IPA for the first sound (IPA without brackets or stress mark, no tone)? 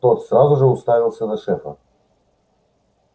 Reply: t̪